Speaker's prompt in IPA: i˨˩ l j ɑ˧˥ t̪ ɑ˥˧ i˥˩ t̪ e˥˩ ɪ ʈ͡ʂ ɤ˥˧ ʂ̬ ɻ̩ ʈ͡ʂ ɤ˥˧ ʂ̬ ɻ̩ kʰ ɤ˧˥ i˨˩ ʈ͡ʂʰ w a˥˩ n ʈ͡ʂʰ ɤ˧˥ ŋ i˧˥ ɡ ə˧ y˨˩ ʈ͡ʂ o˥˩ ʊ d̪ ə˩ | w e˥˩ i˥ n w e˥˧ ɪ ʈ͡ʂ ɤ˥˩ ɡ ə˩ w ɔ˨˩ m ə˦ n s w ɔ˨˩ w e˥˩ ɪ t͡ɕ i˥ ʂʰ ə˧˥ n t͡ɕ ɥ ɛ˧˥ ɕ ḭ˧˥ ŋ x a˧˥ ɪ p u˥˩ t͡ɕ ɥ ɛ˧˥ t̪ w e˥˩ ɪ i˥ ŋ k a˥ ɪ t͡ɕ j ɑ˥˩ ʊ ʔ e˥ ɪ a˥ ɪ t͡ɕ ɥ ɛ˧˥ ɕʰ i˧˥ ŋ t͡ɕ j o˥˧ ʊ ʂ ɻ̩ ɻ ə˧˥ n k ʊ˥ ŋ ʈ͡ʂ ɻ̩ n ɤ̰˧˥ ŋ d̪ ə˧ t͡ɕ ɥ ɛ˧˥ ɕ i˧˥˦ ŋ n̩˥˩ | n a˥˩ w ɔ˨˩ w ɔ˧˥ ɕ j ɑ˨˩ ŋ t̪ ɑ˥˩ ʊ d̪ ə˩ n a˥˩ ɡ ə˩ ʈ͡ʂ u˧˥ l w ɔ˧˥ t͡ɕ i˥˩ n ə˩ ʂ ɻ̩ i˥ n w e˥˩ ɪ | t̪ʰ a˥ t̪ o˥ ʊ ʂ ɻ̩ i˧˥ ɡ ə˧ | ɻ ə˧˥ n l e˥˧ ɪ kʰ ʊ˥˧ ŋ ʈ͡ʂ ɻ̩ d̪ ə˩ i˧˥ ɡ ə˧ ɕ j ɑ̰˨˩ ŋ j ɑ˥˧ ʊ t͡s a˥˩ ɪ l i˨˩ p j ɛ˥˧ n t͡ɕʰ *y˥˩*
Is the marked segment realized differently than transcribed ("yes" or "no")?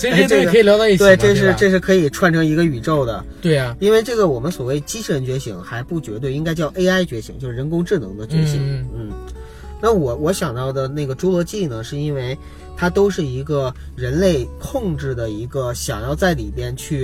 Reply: no